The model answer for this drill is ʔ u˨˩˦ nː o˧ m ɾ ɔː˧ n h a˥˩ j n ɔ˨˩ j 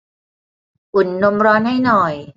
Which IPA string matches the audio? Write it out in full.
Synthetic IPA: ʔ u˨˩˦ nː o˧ m ɾ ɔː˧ n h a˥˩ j n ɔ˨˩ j